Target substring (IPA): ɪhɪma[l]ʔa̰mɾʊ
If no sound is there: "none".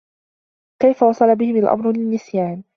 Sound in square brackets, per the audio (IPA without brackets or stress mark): l